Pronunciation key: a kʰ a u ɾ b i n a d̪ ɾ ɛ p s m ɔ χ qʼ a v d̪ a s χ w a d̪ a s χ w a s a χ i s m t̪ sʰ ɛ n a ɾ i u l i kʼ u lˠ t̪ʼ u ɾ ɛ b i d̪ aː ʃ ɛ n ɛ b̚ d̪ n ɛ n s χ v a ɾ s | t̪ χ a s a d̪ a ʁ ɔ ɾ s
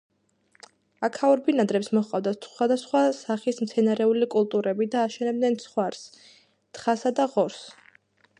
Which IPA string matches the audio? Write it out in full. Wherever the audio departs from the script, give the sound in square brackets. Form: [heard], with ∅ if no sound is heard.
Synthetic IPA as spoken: a kʰ a u ɾ b i n a d̪ ɾ ɛ p s m ɔ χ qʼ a v d̪ a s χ w a d̪ a s χ w a s a χ i s m t̪ sʰ ɛ n a ɾ [ɛ] u l i kʼ u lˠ t̪ʼ u ɾ ɛ b i d̪ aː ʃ ɛ n ɛ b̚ d̪ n ɛ n s χ [w] a ɾ s | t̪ χ a s a d̪ a ʁ ɔ ɾ s